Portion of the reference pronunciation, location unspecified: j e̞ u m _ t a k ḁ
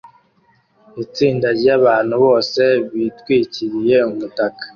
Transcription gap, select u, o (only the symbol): u